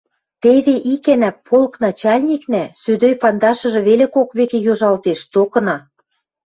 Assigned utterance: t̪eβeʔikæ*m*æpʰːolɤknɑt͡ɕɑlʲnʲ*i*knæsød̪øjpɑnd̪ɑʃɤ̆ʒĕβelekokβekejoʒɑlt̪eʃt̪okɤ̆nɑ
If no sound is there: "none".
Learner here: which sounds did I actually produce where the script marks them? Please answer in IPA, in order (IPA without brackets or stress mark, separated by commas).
n, i